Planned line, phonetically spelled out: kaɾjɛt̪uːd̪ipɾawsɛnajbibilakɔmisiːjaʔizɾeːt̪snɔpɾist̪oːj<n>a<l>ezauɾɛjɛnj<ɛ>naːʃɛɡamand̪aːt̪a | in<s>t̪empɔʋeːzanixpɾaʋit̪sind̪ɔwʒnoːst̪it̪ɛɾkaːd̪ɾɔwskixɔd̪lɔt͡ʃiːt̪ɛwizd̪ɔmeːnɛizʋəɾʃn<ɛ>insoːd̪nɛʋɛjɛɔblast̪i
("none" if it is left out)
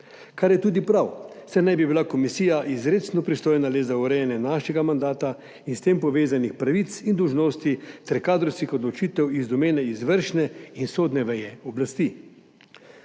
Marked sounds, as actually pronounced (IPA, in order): n, l, ɛ, s, ɛ

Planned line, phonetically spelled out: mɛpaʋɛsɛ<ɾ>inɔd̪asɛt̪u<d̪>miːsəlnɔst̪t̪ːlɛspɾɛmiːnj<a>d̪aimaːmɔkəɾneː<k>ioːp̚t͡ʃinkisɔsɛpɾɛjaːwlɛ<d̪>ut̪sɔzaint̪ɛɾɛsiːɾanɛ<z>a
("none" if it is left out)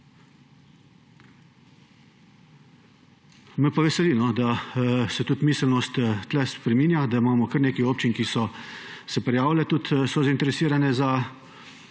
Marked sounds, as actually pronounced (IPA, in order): l, t̪, a, k, t̪, z

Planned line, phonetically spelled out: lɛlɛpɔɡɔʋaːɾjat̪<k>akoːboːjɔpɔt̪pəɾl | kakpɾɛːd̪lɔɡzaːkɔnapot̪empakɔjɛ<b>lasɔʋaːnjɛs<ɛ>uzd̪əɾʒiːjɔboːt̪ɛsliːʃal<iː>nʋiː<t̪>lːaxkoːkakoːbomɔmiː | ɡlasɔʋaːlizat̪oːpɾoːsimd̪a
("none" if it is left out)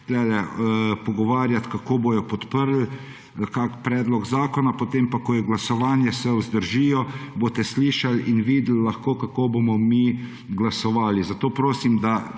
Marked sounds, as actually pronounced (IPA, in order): k, ɡ, ɛ, i, d̪

